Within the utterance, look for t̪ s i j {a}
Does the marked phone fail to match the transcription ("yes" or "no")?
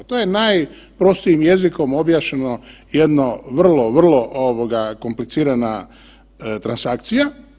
no